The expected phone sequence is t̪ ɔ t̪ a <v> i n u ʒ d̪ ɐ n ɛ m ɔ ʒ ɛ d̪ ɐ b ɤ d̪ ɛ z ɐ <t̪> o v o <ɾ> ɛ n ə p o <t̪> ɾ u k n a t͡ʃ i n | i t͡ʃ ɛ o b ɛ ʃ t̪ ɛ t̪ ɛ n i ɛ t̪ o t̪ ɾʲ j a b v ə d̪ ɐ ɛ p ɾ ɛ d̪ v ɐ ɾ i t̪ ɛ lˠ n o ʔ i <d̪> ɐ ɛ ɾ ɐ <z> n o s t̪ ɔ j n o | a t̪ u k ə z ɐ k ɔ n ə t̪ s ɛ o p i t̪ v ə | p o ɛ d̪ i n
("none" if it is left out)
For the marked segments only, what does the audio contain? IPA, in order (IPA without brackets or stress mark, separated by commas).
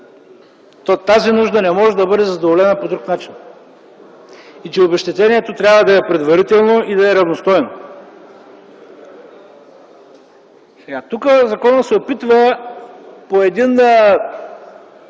z, d̪, l, d̪, d̪, v